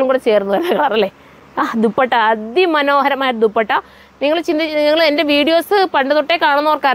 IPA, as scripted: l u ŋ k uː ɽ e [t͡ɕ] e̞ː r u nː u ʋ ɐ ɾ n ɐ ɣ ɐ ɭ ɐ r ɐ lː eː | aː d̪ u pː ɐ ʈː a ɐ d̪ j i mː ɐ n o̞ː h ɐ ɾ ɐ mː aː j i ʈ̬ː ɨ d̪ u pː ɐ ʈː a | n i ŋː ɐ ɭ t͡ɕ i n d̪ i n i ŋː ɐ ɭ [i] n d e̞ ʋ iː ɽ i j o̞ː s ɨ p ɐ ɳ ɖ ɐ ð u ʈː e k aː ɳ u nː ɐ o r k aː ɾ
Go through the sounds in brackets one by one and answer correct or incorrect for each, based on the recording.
correct, incorrect: e

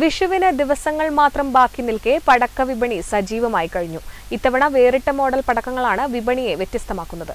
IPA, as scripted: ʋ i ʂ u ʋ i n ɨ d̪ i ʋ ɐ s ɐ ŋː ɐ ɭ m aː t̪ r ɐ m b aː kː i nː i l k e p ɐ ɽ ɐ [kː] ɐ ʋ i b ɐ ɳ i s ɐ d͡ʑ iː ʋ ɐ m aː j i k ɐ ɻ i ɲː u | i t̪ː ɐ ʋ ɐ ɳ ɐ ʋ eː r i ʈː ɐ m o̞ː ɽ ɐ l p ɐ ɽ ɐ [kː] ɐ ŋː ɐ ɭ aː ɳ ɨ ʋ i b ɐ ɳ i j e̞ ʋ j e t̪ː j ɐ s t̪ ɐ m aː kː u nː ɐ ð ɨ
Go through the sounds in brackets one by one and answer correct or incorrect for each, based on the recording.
correct, correct

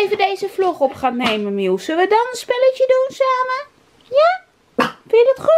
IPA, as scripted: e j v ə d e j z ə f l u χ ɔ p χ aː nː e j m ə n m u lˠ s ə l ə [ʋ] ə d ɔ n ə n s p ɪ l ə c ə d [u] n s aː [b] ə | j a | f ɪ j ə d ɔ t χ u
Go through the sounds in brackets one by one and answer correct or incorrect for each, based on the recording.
correct, correct, incorrect: m

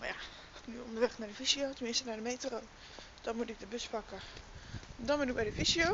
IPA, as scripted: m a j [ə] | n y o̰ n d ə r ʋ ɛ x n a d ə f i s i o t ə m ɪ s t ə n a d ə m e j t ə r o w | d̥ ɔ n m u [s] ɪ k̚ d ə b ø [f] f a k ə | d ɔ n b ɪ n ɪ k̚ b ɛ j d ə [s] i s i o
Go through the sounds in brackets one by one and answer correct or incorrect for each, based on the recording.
incorrect: a, incorrect: t, incorrect: s, incorrect: f

